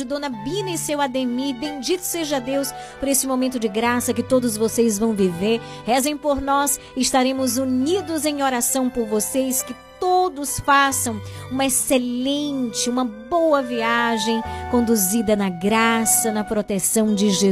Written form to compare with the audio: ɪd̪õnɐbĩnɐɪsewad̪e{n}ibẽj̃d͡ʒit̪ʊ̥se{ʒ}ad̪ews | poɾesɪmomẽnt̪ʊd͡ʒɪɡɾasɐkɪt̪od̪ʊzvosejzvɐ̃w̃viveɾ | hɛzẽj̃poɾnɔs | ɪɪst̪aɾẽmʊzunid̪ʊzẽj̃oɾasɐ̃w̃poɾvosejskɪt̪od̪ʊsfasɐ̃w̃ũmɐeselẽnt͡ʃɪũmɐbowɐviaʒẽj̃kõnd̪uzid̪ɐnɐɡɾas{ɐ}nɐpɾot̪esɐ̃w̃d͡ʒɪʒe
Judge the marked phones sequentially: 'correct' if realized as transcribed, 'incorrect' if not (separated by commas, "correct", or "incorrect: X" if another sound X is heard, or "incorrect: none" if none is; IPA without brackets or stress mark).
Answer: incorrect: m, correct, correct